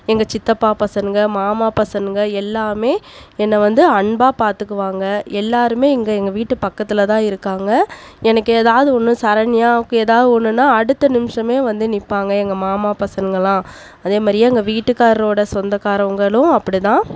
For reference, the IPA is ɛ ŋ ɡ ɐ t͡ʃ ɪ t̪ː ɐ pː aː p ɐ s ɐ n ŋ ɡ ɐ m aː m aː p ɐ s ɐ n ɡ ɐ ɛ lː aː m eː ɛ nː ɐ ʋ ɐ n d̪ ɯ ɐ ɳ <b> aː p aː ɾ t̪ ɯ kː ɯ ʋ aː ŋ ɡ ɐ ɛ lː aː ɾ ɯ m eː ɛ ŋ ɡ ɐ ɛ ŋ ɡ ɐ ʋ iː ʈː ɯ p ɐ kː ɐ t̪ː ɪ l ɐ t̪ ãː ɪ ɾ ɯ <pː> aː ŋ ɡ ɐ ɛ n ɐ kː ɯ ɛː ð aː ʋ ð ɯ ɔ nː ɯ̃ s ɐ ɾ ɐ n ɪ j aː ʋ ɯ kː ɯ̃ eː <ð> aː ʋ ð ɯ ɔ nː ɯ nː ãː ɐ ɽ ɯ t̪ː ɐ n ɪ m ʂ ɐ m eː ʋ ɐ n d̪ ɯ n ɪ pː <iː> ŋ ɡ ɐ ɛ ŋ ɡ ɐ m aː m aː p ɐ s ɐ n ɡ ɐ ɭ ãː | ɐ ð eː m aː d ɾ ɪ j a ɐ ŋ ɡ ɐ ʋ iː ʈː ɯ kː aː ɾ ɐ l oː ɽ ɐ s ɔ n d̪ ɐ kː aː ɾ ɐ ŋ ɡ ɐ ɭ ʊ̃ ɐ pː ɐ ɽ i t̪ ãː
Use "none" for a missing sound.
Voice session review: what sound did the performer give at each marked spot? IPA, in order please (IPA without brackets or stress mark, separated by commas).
b, kː, ð, aː